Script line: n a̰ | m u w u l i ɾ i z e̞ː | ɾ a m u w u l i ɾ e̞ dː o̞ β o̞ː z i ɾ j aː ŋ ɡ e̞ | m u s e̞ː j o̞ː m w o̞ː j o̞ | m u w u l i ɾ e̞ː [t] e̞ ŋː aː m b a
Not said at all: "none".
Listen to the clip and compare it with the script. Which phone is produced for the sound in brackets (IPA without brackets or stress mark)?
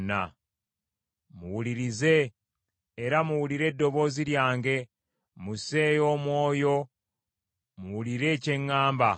c